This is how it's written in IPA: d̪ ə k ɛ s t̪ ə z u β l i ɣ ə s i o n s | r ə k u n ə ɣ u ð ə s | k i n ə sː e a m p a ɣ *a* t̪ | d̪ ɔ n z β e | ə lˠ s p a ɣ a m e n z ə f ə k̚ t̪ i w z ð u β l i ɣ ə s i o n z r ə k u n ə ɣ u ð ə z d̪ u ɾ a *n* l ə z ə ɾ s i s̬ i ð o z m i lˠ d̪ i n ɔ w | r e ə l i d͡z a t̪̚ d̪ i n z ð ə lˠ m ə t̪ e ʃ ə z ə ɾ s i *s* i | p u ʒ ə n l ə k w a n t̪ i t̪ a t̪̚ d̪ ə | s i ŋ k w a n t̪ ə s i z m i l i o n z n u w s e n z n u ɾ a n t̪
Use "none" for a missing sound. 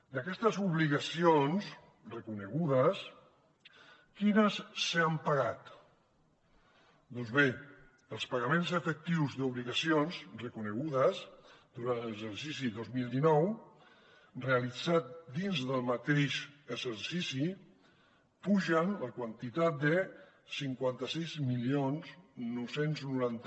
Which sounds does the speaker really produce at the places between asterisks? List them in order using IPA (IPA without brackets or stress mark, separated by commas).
a, n, s